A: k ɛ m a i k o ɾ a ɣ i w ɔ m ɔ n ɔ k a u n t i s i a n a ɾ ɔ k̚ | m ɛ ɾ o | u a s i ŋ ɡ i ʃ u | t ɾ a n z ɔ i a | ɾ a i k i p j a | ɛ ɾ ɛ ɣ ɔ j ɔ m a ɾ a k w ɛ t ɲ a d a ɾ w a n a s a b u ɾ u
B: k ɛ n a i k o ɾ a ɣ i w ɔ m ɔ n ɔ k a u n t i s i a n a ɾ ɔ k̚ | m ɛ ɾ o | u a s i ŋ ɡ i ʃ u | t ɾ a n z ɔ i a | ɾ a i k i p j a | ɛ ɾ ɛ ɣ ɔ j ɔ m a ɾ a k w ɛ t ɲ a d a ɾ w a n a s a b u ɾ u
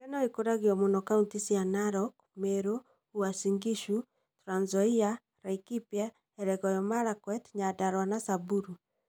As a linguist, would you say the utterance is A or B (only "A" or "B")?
B